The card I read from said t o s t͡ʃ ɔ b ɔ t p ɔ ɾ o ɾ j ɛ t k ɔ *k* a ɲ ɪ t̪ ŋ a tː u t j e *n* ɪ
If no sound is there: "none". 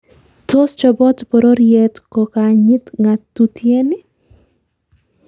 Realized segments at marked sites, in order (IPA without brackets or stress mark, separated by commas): k, n